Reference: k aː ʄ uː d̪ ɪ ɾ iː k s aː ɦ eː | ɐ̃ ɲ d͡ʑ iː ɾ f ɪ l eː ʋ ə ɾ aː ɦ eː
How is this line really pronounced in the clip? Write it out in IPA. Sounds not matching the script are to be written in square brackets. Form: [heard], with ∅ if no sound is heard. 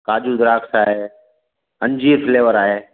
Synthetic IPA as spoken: k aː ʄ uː d̪ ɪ ɾ [aː] k s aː ɦ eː | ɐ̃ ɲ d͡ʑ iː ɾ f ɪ l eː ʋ ə ɾ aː ɦ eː